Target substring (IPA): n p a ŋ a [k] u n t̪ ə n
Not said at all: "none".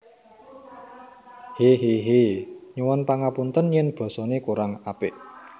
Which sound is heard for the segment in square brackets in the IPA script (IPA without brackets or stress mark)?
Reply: p